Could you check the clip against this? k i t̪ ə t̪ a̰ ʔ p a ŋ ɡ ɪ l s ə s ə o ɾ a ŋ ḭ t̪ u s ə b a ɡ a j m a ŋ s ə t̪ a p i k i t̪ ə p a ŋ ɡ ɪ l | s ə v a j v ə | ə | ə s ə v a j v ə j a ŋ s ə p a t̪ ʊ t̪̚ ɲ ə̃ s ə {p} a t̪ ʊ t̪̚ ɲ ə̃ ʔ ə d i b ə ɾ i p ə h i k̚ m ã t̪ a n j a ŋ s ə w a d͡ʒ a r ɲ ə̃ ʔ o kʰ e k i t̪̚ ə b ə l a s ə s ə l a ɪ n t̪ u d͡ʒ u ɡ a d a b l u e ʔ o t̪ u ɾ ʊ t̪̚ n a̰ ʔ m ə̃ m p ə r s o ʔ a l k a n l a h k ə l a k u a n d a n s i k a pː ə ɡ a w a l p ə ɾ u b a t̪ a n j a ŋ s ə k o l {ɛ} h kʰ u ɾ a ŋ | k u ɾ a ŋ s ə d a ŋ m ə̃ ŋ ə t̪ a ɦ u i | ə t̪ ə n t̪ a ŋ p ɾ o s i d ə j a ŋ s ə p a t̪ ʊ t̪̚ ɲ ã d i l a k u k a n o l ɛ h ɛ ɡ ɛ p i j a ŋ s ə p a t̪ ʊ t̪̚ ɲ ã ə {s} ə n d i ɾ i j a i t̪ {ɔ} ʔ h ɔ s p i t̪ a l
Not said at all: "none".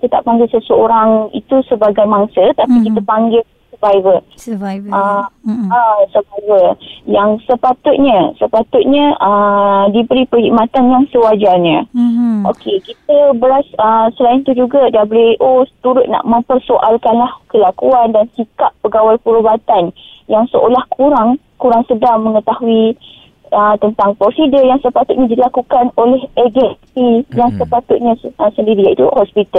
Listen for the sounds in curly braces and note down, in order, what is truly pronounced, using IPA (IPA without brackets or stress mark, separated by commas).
p, a, s, u